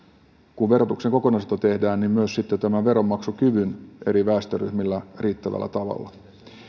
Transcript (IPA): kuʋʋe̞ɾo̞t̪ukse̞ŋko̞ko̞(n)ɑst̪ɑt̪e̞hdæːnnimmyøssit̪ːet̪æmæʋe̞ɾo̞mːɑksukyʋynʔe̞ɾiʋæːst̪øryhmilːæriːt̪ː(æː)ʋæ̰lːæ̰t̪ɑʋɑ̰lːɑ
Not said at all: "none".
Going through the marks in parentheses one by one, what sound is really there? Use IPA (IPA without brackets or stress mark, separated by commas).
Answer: n, æ